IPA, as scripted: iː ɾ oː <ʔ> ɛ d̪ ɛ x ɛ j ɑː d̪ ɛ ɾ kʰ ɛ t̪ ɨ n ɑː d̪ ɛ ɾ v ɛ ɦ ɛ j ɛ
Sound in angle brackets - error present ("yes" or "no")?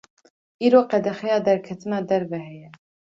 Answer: yes